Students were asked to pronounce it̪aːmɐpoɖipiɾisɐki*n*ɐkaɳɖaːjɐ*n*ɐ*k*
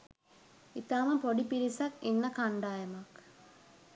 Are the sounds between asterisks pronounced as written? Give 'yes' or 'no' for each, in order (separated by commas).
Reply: no, no, yes